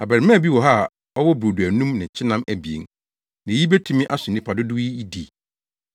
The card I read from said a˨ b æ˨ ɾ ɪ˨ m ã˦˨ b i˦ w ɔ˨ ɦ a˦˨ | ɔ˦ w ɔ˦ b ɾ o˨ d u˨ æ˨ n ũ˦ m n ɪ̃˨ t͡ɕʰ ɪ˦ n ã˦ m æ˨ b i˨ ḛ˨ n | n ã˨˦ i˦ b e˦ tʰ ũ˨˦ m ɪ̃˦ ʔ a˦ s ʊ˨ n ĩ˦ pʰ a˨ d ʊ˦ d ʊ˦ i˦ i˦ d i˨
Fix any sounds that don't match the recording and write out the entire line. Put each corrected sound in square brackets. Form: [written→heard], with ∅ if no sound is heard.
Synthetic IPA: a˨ b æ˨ ɾ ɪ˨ m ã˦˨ b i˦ w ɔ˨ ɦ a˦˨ | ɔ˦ w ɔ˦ b ɾ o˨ d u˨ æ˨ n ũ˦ m n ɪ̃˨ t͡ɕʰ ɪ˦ n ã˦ m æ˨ b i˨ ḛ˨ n | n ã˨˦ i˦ b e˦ tʰ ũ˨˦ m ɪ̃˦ ʔ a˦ s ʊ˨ n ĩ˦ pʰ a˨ d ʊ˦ d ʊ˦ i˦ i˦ d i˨

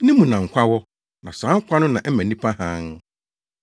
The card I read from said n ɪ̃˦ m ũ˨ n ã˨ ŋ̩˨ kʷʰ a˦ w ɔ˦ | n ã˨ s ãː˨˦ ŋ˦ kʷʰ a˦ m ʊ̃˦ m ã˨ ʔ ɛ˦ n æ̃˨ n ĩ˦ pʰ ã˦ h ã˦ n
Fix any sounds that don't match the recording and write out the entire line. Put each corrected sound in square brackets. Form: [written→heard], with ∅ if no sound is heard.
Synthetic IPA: n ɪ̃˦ m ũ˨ n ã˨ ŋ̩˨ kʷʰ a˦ w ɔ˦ | n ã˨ s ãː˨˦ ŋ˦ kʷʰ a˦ [m→n] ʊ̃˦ [m→n] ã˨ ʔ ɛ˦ [n→m] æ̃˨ n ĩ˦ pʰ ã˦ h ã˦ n

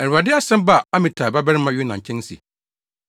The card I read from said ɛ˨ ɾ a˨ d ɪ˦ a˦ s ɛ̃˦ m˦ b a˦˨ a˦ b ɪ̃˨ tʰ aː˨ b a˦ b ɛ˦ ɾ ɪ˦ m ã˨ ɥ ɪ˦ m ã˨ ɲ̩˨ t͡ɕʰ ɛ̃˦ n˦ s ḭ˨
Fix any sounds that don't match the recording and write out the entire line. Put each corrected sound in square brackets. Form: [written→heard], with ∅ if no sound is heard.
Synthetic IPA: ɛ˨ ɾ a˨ d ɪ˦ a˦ s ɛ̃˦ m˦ b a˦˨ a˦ [b→m] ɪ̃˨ tʰ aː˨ b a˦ b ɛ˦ ɾ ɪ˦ m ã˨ ɥ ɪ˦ [m→n] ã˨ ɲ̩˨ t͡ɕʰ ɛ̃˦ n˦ s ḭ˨

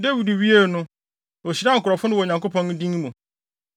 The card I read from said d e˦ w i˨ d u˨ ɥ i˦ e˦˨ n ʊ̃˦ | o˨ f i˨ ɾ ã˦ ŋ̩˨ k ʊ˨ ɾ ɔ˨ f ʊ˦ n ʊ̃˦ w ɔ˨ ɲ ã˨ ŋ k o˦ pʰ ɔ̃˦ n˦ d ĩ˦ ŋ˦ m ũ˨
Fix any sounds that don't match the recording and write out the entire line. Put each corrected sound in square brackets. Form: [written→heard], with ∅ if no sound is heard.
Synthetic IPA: d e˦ w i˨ d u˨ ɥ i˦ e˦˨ n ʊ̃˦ | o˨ [f→ɕ] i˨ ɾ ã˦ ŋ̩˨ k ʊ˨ ɾ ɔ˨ f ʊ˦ n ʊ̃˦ w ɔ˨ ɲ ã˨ ŋ k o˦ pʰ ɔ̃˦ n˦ d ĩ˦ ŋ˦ m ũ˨

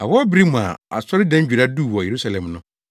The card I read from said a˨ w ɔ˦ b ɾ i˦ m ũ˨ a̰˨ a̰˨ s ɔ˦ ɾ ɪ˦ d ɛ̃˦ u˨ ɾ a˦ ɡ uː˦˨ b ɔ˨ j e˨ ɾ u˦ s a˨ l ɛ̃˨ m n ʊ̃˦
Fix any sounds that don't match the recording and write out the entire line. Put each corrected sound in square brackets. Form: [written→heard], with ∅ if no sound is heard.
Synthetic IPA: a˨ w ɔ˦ b ɾ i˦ m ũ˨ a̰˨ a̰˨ s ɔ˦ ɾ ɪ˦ d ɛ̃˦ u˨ ɾ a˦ [ɡ→d] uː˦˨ [b→w] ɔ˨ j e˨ ɾ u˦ s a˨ l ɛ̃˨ m n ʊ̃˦

